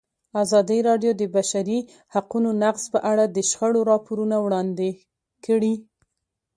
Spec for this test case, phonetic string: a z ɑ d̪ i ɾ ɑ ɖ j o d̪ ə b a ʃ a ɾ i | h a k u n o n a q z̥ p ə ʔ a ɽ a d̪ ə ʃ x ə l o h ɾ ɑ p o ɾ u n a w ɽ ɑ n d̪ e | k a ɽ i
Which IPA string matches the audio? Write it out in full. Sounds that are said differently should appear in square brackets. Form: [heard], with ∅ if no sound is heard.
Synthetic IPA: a z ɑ d̪ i ɾ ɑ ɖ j o d̪ ə b a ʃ a ɾ i | h a [q] u n o n a q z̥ p ə ʔ a ɽ a d̪ ə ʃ x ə [ɽ] o [∅] ɾ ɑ p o ɾ u n a w ɽ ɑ n d̪ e | k [ə] ɽ i